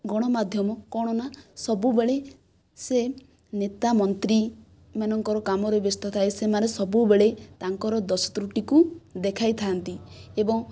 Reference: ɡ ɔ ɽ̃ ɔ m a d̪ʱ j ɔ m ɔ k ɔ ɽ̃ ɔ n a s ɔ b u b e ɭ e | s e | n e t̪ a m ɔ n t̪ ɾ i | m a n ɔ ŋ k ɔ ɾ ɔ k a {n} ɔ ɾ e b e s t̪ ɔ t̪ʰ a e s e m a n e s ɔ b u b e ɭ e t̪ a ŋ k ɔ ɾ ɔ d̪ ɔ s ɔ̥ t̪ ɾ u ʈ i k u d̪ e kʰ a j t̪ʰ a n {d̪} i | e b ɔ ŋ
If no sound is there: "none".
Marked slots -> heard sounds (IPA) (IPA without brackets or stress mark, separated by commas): m, t̪